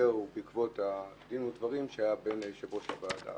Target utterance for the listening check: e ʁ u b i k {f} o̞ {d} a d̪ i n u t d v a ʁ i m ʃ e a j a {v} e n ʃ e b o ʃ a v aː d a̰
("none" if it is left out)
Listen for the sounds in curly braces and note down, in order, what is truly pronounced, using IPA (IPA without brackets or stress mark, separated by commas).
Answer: v, t, b